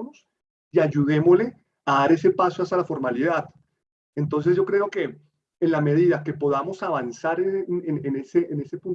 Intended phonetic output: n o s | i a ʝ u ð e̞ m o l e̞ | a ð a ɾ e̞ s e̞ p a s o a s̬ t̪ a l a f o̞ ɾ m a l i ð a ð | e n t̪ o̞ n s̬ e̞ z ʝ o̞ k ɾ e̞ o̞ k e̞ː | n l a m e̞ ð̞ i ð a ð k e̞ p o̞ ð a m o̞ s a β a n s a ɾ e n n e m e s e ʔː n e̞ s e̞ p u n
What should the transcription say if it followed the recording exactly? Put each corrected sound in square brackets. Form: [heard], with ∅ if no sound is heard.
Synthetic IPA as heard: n o s | i a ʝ u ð e̞ m o l e̞ | a ð a ɾ e̞ s e̞ p a s o a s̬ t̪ a l a f o̞ ɾ m a l i ð a ð | e n t̪ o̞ n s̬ e̞ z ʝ o̞ k ɾ e̞ o̞ k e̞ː | n l a m e̞ ð̞ i ð a [∅] k e̞ p o̞ ð a m o̞ s a β a n s a ɾ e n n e [n] e s e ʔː n e̞ s e̞ p u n